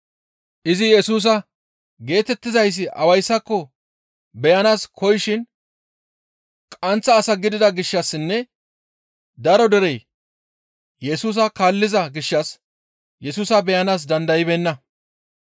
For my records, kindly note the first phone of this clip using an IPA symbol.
ʔ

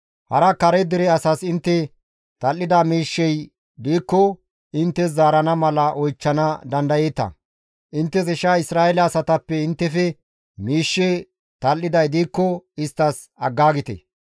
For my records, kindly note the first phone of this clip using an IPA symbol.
h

